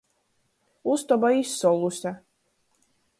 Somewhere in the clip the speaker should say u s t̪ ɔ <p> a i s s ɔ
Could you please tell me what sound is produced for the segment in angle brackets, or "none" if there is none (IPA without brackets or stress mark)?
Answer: b